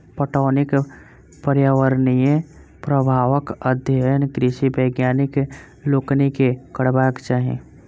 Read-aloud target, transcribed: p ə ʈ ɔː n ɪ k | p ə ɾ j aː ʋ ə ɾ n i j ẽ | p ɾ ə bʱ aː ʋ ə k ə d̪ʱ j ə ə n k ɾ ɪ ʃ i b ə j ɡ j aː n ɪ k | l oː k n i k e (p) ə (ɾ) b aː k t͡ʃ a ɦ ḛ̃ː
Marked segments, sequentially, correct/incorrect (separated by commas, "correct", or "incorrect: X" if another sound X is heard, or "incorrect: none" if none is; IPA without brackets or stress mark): incorrect: k, incorrect: ɽ